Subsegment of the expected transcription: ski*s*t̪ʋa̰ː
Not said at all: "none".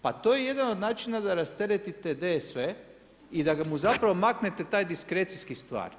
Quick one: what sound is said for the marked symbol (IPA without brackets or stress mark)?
s